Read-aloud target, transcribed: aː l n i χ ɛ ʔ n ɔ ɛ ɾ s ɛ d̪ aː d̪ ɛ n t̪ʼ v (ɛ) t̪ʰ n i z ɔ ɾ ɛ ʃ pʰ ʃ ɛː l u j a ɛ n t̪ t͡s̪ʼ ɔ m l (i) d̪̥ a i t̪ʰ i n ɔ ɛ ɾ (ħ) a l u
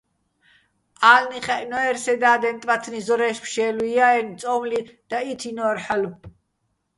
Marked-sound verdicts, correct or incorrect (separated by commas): incorrect, correct, correct